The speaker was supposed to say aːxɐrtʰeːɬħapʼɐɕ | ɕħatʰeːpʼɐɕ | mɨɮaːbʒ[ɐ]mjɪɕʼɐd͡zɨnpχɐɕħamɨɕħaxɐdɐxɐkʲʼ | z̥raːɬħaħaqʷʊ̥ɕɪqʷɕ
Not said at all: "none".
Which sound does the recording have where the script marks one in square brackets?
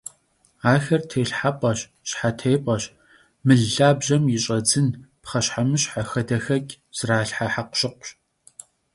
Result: ɐ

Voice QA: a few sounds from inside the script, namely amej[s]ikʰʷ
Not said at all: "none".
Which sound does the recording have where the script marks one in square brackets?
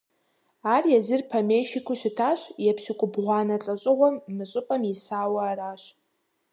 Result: ʃ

